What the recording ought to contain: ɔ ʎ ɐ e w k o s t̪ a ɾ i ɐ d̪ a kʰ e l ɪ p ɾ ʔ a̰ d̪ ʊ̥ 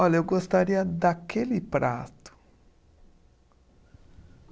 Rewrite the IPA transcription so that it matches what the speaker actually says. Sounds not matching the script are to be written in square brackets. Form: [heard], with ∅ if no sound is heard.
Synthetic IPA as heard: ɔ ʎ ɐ e w [ɡ] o s t̪ a ɾ i ɐ d̪ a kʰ e l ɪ p ɾ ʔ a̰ [t̪] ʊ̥